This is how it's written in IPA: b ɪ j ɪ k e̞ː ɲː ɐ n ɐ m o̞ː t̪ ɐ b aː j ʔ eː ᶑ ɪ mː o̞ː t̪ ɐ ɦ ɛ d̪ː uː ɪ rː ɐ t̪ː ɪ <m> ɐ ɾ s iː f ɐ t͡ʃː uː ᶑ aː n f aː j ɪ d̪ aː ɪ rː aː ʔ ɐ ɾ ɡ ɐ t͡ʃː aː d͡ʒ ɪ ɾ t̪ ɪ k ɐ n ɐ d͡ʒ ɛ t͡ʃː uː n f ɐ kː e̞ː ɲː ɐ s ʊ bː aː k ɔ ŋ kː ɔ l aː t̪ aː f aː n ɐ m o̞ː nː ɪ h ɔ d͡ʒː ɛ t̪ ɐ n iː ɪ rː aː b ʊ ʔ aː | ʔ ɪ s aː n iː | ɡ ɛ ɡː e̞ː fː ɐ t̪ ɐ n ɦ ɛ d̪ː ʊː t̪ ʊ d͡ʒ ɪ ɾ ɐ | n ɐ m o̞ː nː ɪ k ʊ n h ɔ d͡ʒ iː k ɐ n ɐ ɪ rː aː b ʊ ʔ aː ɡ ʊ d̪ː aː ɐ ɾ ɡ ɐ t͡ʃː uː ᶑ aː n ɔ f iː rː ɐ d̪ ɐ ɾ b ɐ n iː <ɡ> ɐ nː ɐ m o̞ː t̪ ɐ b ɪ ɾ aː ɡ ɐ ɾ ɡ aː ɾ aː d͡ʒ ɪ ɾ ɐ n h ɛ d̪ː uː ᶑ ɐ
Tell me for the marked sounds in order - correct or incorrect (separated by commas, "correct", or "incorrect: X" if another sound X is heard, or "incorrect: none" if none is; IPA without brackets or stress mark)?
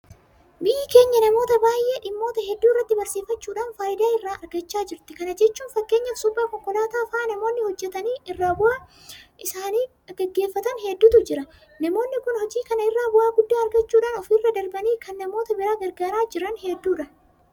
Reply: incorrect: b, incorrect: k